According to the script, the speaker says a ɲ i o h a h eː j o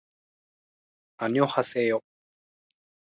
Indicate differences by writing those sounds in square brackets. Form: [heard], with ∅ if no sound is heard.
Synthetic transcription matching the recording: a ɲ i o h a [s] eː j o